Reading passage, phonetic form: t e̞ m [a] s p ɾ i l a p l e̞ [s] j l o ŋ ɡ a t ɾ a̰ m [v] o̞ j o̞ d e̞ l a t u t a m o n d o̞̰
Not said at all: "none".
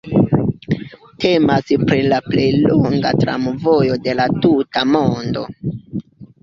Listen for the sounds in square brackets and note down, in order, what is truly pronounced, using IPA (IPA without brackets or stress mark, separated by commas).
a, none, v